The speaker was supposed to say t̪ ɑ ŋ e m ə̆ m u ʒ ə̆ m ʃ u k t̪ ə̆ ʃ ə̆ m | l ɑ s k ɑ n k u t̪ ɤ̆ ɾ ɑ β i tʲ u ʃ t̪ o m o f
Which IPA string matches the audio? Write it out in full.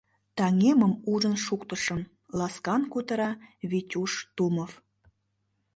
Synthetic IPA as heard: t̪ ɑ ŋ e m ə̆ m u ʒ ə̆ n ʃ u k t̪ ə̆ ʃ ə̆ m | l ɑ s k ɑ n k u t̪ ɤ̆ ɾ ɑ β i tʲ u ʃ t̪ u m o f